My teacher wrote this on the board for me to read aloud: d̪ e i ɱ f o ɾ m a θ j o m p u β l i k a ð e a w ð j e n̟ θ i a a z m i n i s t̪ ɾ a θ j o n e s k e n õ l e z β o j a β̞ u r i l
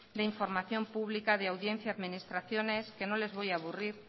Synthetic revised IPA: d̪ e i ɱ f o ɾ m a θ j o m p u β l i k a ð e a w ð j e n̟ θ j a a ð m i n i s t̪ ɾ a θ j o n e s k e n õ l e z β o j a β̞ u r i ɾ